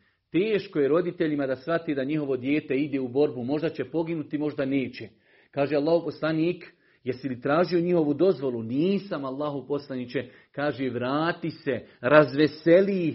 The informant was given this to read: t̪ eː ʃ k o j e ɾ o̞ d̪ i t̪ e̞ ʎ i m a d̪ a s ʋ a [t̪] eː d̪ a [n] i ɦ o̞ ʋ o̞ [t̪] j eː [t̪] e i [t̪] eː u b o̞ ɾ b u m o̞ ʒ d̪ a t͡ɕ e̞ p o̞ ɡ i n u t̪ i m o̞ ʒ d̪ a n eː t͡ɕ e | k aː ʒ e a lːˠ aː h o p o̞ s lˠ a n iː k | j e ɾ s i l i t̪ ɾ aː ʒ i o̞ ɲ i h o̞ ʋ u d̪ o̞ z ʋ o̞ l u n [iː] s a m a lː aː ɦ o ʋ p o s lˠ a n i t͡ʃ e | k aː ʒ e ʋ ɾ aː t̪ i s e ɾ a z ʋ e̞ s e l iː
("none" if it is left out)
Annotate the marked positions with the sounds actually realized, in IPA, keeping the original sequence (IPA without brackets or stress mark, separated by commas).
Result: t̪, ɲ, d̪, t̪, d̪, iː